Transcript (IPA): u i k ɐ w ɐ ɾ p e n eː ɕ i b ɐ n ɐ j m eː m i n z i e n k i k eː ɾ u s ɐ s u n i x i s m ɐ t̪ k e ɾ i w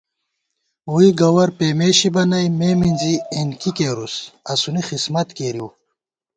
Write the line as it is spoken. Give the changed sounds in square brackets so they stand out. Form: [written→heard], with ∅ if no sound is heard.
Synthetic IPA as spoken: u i [k→ɡ] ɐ w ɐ ɾ p e [n→m] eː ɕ i b ɐ n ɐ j m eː m i n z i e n k i k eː ɾ u s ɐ s u n i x i s m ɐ t̪ k e ɾ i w